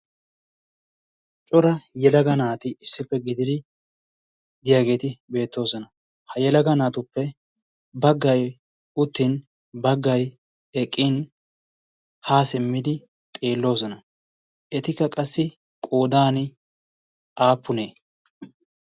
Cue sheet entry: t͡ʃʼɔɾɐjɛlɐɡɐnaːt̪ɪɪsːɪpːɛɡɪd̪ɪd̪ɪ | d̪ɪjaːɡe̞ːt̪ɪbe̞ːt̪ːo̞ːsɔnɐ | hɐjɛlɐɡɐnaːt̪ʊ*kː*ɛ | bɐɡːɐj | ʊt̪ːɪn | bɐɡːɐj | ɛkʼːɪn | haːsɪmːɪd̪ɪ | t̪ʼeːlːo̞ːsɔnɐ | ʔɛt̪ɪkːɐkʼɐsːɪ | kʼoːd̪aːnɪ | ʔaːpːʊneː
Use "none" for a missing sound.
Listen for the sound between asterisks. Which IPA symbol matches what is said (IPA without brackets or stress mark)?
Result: pː